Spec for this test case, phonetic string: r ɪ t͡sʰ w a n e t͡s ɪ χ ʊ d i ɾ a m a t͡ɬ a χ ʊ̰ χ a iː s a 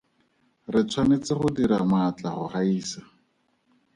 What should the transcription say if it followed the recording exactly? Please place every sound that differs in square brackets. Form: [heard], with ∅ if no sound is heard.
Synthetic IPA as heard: r ɪ t͡sʰ w a n e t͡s ɪ χ ʊ d i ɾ a m a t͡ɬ a χ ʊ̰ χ a iː s a